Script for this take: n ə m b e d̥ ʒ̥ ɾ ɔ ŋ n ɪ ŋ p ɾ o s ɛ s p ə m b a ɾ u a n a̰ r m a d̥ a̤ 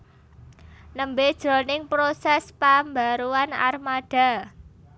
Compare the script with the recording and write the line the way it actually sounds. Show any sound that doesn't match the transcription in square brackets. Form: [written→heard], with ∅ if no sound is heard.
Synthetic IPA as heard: n ə m b e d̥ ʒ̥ ɾ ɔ [ŋ→∅] n ɪ ŋ p ɾ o s ɛ s p [ə→a] m b a ɾ u a n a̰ r m a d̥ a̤